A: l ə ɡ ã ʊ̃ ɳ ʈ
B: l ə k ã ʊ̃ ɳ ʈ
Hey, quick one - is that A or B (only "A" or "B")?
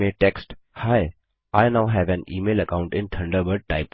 B